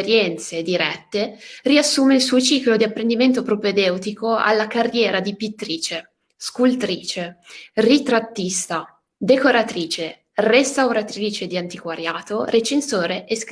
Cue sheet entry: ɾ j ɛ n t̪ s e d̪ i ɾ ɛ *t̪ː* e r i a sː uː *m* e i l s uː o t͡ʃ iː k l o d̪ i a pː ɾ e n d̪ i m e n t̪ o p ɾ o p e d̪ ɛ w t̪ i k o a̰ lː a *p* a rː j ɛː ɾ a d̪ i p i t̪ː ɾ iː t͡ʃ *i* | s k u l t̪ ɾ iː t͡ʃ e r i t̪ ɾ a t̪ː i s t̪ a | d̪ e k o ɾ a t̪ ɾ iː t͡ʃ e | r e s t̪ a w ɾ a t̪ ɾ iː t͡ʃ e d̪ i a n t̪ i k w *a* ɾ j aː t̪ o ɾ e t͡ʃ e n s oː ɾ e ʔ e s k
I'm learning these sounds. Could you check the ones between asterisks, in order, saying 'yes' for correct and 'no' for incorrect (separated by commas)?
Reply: yes, yes, no, no, yes